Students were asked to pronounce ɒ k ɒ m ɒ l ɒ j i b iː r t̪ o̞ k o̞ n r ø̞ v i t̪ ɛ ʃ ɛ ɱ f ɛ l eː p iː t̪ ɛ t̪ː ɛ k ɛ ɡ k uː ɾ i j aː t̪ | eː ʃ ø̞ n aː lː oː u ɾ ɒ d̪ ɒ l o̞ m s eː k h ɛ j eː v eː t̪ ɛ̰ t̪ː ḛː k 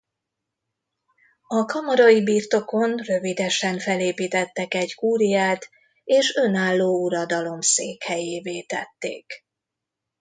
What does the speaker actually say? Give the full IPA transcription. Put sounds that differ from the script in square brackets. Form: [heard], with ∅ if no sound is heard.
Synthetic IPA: ɒ k ɒ m ɒ [ɾ] ɒ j i b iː r t̪ o̞ k o̞ n r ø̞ v i [d̪] ɛ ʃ ɛ ɱ f ɛ l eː p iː t̪ ɛ t̪ː ɛ k ɛ [ɟ] k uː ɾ i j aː t̪ | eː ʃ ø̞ n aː lː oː u ɾ ɒ d̪ ɒ l o̞ m s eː k h ɛ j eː v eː t̪ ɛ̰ t̪ː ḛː k

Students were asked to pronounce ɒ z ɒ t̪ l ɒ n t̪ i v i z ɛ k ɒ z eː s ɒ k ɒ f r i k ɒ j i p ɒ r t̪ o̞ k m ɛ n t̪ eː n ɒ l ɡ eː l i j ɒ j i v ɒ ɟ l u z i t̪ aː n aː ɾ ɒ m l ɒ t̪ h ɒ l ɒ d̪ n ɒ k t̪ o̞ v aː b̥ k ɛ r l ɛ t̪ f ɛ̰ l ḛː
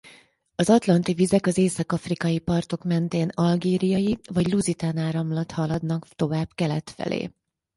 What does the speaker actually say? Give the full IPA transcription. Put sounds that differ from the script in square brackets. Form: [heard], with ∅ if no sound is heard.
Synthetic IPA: ɒ z ɒ t̪ l ɒ n t̪ i v i z ɛ k ɒ z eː s ɒ k ɒ f r i k ɒ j i p ɒ r t̪ o̞ k m ɛ n t̪ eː n ɒ l ɡ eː [ɾ] i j ɒ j i v ɒ ɟ l u z i t̪ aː n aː ɾ ɒ m l ɒ t̪ h ɒ l ɒ d̪ n ɒ k t̪ o̞ v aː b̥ k ɛ [∅] l ɛ t̪ f ɛ̰ l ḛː

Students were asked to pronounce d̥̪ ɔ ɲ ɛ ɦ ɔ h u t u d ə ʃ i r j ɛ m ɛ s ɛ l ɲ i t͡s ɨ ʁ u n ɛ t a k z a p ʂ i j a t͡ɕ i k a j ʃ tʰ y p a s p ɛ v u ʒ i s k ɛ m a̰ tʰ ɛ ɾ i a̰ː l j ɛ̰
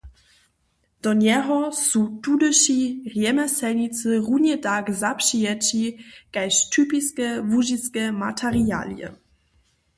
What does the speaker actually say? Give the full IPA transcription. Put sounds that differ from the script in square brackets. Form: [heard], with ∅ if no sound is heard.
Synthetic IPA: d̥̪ ɔ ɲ ɛ ɦ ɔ [s] u t u d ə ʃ i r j ɛ m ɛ s ɛ l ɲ i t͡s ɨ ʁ u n ɛ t a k z a p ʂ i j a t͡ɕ i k a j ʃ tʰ y p [i] s [k] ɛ v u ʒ i s k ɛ m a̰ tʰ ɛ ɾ i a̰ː l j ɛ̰

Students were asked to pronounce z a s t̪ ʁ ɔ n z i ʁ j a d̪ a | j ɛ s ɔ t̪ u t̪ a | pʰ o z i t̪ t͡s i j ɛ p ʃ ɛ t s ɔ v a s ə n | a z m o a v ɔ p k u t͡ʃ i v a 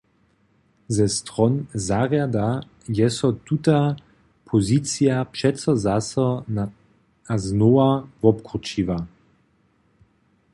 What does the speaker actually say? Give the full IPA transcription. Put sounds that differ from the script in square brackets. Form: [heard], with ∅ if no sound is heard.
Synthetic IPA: z [ɛ] s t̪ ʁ ɔ n z [a] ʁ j a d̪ a | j ɛ s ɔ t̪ u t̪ a | pʰ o z i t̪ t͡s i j [a] p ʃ ɛ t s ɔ [z] a s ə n | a z [n] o a v ɔ p k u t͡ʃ i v a

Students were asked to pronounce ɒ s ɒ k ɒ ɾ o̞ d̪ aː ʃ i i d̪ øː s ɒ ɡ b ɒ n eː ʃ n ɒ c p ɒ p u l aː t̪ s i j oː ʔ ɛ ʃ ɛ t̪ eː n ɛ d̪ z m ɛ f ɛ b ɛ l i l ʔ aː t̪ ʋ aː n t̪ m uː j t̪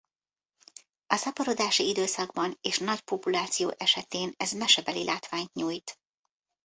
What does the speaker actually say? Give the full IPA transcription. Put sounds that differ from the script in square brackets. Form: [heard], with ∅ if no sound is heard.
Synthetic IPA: ɒ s ɒ [p] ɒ ɾ o̞ d̪ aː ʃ i i d̪ øː s ɒ ɡ b ɒ n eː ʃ n ɒ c p [o] p u l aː t̪ s i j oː ʔ ɛ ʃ ɛ t̪ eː n ɛ [∅] z m ɛ [ʃ] ɛ b ɛ l i l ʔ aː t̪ ʋ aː [ɲ] t̪ [ɲ] uː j t̪

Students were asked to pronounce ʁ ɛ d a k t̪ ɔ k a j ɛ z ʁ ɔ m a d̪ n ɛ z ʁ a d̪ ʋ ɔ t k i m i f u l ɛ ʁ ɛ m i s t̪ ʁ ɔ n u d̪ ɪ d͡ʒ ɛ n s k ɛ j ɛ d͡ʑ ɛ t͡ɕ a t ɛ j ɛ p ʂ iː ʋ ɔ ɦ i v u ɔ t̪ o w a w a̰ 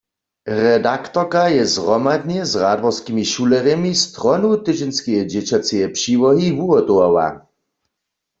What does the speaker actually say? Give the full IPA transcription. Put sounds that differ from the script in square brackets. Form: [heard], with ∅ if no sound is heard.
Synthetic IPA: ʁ ɛ d a k t̪ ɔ k a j ɛ z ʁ ɔ m a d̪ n ɛ z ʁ a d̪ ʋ ɔ [s] k i m i [ʃ] u l ɛ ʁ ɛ m i s t̪ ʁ ɔ n u [t̪] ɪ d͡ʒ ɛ n s k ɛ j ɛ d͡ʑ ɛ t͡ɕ a [t͡s] ɛ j ɛ p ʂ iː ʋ ɔ ɦ i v u ɔ t̪ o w a w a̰

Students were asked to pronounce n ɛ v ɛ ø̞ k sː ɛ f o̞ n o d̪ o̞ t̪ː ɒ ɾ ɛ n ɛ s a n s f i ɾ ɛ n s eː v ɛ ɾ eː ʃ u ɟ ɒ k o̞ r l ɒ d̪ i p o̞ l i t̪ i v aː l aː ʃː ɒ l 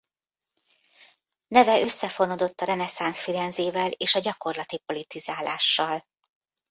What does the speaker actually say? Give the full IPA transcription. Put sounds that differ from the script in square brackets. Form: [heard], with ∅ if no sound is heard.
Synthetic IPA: n ɛ v ɛ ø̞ [∅] sː ɛ f o̞ n o d̪ o̞ t̪ː ɒ ɾ ɛ n ɛ s a n s f i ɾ ɛ n [z] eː v ɛ [l] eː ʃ [ɒ] ɟ ɒ k o̞ r l ɒ [t̪] i p o̞ l i t̪ i [z] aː l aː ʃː ɒ l

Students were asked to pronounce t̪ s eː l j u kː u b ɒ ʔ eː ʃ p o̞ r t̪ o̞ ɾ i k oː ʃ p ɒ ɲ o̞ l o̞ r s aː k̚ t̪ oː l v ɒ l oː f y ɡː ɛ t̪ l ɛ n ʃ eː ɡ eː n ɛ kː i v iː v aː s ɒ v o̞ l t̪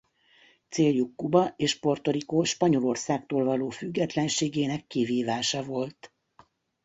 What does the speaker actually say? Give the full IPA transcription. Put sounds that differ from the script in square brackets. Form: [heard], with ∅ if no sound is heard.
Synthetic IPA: t̪ s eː l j u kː u b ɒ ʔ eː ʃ p o̞ r t̪ o̞ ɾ i k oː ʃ p ɒ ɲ o̞ l o̞ r s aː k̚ t̪ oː l v ɒ l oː f y ɡː ɛ t̪ l ɛ n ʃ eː ɡ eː n ɛ kː i v iː v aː [ʃ] ɒ v o̞ l t̪

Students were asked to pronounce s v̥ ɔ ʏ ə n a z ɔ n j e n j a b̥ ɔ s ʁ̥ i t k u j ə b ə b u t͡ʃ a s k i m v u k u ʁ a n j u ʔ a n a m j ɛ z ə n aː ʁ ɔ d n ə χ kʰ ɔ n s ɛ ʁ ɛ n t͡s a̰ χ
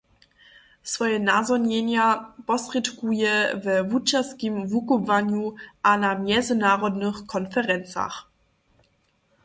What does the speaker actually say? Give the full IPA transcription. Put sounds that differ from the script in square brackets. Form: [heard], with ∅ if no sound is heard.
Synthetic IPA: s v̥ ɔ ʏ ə n a z ɔ n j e n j a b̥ ɔ s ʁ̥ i t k u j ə [v] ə [v] u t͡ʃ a s k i m v u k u [v] a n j u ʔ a n a m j ɛ z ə n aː ʁ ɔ d n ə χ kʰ ɔ n [f] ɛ ʁ ɛ n t͡s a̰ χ

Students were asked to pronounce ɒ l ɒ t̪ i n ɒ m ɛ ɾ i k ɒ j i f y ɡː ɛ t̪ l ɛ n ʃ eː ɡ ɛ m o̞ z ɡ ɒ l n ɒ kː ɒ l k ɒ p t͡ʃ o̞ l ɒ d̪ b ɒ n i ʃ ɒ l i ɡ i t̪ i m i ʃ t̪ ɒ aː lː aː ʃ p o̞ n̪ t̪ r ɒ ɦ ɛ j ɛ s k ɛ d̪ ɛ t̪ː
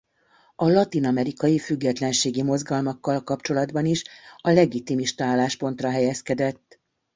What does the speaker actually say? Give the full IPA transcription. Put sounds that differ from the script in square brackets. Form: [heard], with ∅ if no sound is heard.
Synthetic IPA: ɒ l ɒ t̪ i n ɒ m ɛ ɾ i k ɒ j i f y ɡː ɛ t̪ l ɛ n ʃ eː ɡ [i] m o̞ z ɡ ɒ l [m] ɒ kː ɒ l k ɒ p t͡ʃ o̞ l ɒ d̪ b ɒ n i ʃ ɒ l [ɛ] ɡ i t̪ i m i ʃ t̪ ɒ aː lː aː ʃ p o̞ n̪ t̪ r ɒ ɦ ɛ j ɛ s k ɛ d̪ ɛ t̪ː

